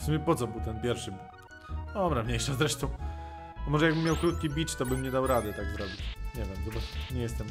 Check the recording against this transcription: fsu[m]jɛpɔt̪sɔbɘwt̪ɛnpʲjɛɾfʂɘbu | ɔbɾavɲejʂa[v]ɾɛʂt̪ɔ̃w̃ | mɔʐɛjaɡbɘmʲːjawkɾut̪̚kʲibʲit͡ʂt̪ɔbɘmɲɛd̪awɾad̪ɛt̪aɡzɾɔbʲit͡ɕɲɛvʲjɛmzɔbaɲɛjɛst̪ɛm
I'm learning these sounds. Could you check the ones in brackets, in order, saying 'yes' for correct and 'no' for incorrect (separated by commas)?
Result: yes, no